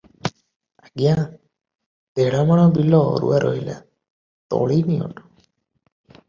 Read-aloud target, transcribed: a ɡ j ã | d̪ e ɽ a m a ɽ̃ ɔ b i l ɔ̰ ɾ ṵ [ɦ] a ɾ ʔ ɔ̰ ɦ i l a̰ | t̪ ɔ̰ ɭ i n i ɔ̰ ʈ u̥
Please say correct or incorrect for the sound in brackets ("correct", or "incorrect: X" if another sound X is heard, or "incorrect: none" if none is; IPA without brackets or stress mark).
incorrect: none